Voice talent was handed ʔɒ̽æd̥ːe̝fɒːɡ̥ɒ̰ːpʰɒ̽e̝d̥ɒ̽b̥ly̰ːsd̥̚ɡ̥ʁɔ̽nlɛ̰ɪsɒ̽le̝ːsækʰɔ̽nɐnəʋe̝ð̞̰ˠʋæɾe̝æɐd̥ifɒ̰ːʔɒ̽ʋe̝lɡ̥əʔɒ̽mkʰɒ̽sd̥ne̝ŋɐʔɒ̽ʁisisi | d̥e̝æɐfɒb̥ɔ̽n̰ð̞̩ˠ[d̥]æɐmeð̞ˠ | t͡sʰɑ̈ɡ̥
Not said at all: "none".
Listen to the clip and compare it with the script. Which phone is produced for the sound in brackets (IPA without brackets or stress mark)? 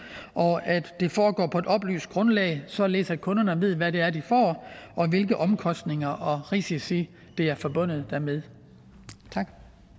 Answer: d̥